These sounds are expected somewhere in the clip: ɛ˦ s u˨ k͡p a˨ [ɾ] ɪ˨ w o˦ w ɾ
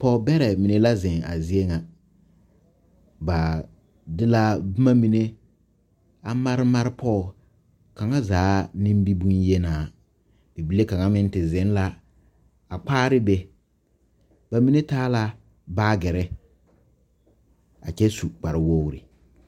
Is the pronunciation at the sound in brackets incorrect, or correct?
correct